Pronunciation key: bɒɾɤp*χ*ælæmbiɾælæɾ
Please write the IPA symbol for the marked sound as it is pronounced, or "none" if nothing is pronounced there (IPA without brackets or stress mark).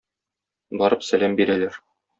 s